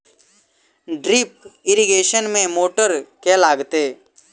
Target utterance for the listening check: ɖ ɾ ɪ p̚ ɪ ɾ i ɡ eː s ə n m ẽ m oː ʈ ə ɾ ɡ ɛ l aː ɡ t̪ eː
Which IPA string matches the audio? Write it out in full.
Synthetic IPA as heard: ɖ ɾ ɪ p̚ ɪ ɾ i ɡ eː ʃ ə n m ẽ m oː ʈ ə ɾ k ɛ l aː ɡ t̪ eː